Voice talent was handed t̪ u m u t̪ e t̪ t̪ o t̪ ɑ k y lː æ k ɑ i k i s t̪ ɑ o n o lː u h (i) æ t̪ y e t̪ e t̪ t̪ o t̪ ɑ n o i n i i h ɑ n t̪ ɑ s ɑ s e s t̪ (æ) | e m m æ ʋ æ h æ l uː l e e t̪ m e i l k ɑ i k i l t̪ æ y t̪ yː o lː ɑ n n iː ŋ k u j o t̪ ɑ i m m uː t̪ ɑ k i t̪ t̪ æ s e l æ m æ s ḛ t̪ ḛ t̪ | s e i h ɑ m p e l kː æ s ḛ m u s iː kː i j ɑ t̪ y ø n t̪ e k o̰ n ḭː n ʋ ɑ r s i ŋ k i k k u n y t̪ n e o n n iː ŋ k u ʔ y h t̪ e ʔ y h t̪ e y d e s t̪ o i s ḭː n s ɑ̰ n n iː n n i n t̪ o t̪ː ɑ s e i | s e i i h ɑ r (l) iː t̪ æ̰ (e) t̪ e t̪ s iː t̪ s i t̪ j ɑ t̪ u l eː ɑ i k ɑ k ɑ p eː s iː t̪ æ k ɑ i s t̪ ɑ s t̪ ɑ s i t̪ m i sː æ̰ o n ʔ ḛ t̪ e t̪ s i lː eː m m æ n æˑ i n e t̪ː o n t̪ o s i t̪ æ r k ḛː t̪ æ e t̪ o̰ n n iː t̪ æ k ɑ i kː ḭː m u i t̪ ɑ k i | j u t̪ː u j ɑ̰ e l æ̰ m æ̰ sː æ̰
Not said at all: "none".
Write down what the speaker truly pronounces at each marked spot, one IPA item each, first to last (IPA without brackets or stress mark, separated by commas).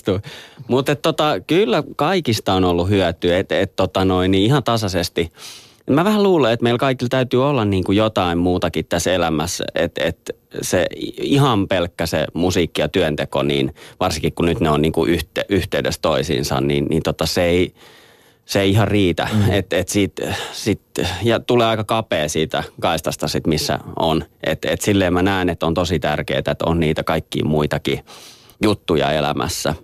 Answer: y, i, r, e